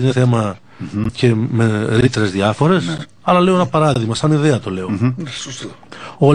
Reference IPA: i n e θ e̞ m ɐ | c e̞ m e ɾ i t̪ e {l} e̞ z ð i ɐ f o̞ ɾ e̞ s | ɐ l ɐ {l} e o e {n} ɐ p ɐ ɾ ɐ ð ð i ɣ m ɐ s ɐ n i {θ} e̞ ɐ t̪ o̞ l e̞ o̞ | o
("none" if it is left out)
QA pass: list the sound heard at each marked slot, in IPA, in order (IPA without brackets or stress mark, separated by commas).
ɾ, l, n, ð